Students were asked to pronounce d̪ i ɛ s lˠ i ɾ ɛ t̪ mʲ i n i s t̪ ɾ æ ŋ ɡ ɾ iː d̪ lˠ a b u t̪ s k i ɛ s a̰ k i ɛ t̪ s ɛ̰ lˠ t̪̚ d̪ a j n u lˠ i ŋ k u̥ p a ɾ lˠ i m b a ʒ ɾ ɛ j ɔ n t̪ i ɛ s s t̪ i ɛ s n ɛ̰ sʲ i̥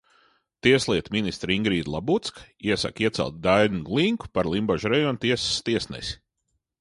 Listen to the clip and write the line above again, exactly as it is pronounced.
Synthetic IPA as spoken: t̪ i ɛ s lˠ i ɛ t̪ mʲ i n i s t̪ ɾ i ŋ ɡ ɾ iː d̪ lˠ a b u t̪ s k i ɛ s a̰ k i ɛ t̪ s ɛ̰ lˠ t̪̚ d̪ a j n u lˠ i ŋ k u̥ p a ɾ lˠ i m b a ʒ ɾ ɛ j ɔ n t̪ i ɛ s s t̪ i ɛ s n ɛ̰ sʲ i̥